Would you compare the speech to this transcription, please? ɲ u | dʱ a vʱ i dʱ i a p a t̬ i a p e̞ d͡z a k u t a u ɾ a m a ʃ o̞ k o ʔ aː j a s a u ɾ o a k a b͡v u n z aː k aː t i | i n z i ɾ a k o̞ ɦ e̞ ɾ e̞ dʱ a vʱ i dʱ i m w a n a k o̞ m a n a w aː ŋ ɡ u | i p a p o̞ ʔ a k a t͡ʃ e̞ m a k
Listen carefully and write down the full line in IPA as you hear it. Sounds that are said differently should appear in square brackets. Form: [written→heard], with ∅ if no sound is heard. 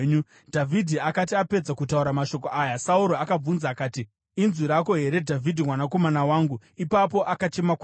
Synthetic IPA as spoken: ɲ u | dʱ a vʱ i dʱ i a [p→k] a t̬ i a p e̞ d͡z a k u t a u ɾ a m a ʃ o̞ k o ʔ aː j a s a u ɾ o a k a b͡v u n z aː k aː t i | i n z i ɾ a k o̞ ɦ e̞ ɾ e̞ dʱ a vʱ i dʱ i m w a n a k o̞ m a n a w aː ŋ ɡ u | i p a p o̞ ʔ a k a t͡ʃ e̞ m a k